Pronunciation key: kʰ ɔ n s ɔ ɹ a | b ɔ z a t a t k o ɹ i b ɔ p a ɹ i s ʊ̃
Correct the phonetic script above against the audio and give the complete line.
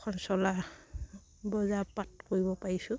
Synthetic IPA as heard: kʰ ɔ n s ɔ l a | b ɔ z a p a t k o ɹ i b ɔ p a ɹ i s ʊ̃